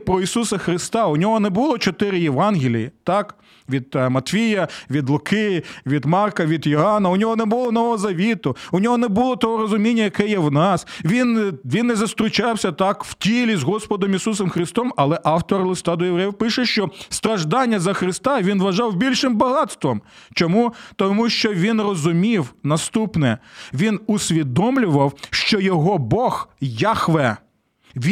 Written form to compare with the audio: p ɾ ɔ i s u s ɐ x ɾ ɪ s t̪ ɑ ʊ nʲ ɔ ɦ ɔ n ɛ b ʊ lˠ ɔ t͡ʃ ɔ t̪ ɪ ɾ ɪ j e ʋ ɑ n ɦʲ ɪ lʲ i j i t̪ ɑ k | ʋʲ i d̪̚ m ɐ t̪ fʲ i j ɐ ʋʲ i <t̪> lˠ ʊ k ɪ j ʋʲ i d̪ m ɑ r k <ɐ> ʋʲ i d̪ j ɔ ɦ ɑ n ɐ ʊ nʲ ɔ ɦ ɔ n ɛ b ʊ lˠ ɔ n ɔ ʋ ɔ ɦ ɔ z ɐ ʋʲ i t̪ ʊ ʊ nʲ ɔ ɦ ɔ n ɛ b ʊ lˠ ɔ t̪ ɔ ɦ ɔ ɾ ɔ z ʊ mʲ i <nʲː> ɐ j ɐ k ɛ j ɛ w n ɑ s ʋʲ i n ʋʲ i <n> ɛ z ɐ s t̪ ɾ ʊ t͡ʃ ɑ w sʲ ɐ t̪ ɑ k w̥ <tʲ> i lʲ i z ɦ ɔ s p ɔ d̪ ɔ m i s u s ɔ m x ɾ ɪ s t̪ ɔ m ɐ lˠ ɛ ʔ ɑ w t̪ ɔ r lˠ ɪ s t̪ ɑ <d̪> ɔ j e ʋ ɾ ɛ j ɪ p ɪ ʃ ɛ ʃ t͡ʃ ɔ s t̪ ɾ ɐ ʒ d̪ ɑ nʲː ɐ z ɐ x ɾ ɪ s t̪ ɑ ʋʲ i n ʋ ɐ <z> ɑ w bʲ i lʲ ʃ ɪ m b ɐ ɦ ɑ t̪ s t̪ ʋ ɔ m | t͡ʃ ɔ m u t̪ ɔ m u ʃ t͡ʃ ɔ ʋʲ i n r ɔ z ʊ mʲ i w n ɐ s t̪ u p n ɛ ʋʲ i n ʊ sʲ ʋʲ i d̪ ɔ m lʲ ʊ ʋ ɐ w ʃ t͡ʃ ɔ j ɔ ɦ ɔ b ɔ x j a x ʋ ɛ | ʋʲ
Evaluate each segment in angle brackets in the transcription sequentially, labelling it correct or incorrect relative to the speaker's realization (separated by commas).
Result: incorrect, correct, correct, incorrect, correct, correct, incorrect